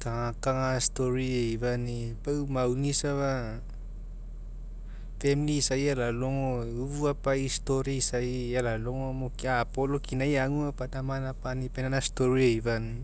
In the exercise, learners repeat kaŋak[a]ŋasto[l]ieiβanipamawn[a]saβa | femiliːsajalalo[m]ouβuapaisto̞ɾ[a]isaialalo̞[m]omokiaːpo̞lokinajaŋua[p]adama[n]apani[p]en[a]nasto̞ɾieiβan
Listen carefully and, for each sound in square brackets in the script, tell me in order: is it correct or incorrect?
correct, incorrect, incorrect, incorrect, incorrect, incorrect, correct, correct, correct, correct

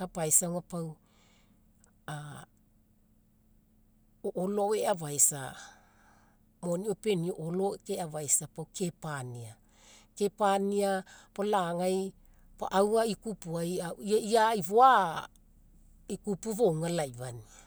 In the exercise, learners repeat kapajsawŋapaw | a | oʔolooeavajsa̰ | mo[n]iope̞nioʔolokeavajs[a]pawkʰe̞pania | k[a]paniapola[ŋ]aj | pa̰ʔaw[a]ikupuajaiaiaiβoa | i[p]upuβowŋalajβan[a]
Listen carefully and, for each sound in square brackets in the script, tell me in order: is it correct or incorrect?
correct, correct, incorrect, correct, correct, incorrect, incorrect

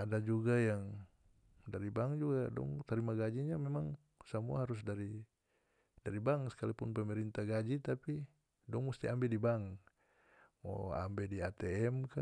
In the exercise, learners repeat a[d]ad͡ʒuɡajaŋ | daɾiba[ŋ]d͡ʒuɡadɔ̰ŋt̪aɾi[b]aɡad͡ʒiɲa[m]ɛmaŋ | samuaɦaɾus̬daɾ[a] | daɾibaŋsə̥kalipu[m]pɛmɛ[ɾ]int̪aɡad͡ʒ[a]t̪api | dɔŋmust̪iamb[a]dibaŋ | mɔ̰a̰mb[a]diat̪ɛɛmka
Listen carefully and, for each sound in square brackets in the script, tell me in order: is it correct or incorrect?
correct, correct, incorrect, correct, incorrect, incorrect, correct, incorrect, incorrect, incorrect

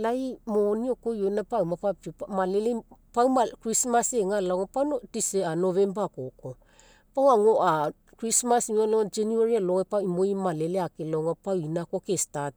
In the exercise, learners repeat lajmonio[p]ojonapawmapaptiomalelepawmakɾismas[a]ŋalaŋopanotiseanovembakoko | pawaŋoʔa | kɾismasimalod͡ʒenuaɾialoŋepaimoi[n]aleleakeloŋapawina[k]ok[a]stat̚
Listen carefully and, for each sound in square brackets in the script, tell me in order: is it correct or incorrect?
incorrect, incorrect, incorrect, correct, incorrect

